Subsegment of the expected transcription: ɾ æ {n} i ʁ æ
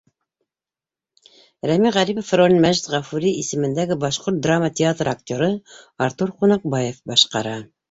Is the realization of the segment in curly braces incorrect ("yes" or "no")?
yes